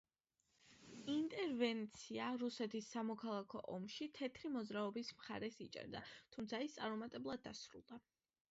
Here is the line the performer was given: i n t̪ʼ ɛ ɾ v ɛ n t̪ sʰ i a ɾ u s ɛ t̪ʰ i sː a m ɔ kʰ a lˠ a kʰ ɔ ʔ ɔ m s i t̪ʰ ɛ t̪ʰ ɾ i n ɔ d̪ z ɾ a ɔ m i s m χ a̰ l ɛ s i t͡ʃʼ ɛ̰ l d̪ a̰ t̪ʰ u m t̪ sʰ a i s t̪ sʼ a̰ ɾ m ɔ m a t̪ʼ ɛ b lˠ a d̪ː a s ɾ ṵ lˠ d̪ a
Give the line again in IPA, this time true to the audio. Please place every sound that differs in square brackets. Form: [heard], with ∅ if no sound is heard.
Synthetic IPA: i n t̪ʼ ɛ ɾ v ɛ n t̪ sʰ i a ɾ u s ɛ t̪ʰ i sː a m ɔ kʰ a lˠ a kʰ ɔ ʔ ɔ m [ʃ] i t̪ʰ ɛ t̪ʰ ɾ i [m] ɔ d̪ z ɾ a ɔ [b] i s m χ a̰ [ɾ] ɛ s i t͡ʃʼ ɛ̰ [ɾ] d̪ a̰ t̪ʰ u m t̪ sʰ a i s t̪ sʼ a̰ ɾ m ɔ m a t̪ʼ ɛ b lˠ a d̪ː a s ɾ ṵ lˠ d̪ a

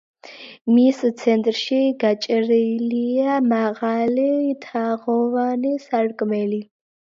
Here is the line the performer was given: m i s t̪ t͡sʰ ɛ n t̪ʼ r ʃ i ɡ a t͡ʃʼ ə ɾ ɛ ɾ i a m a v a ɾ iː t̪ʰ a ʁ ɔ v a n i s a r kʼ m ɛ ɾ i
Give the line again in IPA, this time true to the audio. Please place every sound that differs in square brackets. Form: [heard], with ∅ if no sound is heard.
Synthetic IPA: m i s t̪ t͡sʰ ɛ n t̪ʼ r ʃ i ɡ a t͡ʃʼ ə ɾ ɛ [l] i a m a [ʁ] a [l] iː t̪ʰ a ʁ ɔ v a n i s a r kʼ m ɛ [l] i

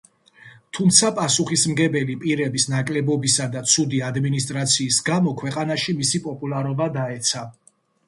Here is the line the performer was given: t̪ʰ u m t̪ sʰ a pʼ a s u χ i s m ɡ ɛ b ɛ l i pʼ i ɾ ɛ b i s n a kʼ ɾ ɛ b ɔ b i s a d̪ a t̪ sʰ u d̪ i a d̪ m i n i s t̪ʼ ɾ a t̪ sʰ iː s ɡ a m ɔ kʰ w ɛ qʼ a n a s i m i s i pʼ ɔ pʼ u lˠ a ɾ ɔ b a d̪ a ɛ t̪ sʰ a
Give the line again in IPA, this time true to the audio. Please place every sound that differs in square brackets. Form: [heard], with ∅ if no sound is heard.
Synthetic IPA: t̪ʰ u m t̪ sʰ a pʼ a s u χ i s m ɡ ɛ b ɛ l i pʼ i ɾ ɛ b i s n a kʼ [l] ɛ b ɔ b i s a d̪ a t̪ sʰ u d̪ i a d̪ m i n i s t̪ʼ ɾ a t̪ sʰ iː s ɡ a m ɔ kʰ w ɛ qʼ a n a [ʃ] i m i s i pʼ ɔ pʼ u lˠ a ɾ ɔ b a d̪ a ɛ t̪ sʰ a

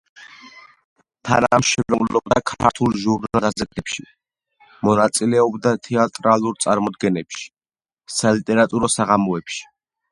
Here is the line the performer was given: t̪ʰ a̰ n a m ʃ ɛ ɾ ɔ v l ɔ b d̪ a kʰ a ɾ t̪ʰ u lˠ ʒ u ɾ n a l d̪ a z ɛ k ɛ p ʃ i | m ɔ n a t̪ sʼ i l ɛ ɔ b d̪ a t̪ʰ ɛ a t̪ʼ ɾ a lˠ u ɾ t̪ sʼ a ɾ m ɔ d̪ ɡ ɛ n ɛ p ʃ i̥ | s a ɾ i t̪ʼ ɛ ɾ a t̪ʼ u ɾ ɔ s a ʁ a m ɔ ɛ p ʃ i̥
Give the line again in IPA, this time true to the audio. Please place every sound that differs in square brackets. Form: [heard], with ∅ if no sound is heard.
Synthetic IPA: t̪ʰ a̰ n a m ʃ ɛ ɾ ɔ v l ɔ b d̪ a kʰ a ɾ t̪ʰ u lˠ ʒ u ɾ n a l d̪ a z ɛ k ɛ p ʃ i | m ɔ n a t̪ sʼ i l ɛ ɔ b d̪ a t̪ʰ ɛ a t̪ʼ ɾ a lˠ u ɾ t̪ sʼ a ɾ m ɔ d̪ ɡ ɛ n ɛ p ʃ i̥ | s a [l] i t̪ʼ ɛ ɾ a t̪ʼ u ɾ ɔ s a ʁ a m ɔ ɛ p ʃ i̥

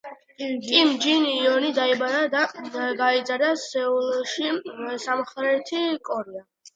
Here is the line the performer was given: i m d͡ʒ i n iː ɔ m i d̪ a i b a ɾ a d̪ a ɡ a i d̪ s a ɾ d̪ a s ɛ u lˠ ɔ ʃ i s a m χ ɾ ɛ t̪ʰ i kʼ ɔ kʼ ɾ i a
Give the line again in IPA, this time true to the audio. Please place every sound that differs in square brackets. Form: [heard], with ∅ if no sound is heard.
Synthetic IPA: i m d͡ʒ i n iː ɔ [n] i d̪ a i b a ɾ a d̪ a ɡ a i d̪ [z] a ɾ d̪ a s ɛ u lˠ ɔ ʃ i s a m χ ɾ ɛ t̪ʰ i kʼ ɔ [∅] ɾ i a

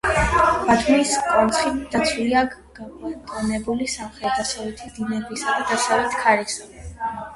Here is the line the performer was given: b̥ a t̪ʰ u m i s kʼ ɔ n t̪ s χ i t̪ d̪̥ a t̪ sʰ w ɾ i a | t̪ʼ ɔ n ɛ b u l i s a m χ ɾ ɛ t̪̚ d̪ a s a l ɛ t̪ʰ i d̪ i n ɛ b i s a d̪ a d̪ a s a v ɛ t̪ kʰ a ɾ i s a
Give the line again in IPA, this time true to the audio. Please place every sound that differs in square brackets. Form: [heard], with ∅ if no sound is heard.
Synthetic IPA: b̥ a t̪ʰ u m i s kʼ ɔ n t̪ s χ i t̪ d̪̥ a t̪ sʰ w [l] i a | t̪ʼ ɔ n ɛ b u l i s a m χ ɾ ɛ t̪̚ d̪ a s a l ɛ t̪ʰ i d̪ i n ɛ b i s a d̪ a d̪ a s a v ɛ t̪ kʰ a ɾ i s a

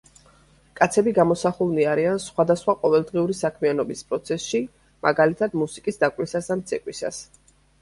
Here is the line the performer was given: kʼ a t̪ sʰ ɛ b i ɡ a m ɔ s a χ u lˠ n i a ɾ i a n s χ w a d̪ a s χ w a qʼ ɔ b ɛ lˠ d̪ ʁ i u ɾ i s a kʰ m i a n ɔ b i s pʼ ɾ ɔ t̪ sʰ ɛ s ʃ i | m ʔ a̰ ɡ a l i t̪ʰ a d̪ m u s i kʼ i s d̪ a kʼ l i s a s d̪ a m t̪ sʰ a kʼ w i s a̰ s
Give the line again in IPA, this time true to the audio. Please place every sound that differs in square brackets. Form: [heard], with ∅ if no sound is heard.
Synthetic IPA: kʼ a t̪ sʰ ɛ b i ɡ a m ɔ s a χ u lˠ n i a ɾ i a n s χ w a d̪ a s χ w a qʼ ɔ [v] ɛ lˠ d̪ ʁ i u ɾ i s a kʰ m i a n ɔ b i s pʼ ɾ ɔ t̪ sʰ ɛ s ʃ i | m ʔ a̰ ɡ a l i t̪ʰ a d̪ m u s i kʼ i s d̪ a kʼ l i s a s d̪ a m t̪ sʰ [ɛ] kʼ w i s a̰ s

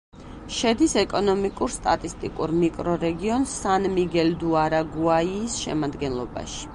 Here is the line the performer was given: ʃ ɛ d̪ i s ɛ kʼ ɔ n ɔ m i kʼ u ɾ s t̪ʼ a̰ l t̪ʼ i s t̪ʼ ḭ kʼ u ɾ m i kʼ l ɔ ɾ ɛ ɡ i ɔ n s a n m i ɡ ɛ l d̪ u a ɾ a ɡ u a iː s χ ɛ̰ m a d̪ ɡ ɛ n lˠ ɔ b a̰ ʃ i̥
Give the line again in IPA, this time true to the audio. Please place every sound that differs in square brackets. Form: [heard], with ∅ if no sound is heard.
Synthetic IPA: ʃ ɛ d̪ i s ɛ kʼ ɔ n ɔ m i kʼ u ɾ s t̪ʼ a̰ [∅] t̪ʼ i s t̪ʼ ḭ kʼ u ɾ m i kʼ [ɾ] ɔ ɾ ɛ ɡ i ɔ n s a n m i ɡ ɛ l d̪ u a ɾ a ɡ u a iː s [ʃ] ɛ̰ m a d̪ ɡ ɛ n lˠ ɔ b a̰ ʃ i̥

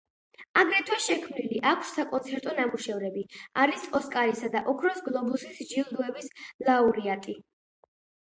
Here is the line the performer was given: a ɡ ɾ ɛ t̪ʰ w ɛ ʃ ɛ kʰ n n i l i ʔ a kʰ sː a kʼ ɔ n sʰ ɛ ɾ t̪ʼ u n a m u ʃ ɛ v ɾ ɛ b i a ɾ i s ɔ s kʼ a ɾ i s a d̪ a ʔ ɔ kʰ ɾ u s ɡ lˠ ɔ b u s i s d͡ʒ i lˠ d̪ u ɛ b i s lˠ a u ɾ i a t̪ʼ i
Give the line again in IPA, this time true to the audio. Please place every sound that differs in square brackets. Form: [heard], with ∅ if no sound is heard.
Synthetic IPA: a ɡ ɾ ɛ t̪ʰ w ɛ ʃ ɛ kʰ [m] n i l i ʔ a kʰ sː a kʼ ɔ n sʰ ɛ ɾ t̪ʼ [ɔ] n a m u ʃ ɛ v ɾ ɛ b i a ɾ i s ɔ s kʼ a ɾ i s a d̪ a ʔ ɔ kʰ ɾ [ɔ] s ɡ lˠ ɔ b u s i s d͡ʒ i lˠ d̪ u ɛ b i s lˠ a u ɾ i a t̪ʼ i

